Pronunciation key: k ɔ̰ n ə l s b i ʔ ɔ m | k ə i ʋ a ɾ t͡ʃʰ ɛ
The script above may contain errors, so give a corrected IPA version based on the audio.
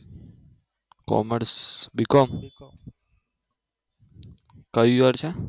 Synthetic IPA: k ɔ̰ m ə ɾ s b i k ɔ m | k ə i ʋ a ɾ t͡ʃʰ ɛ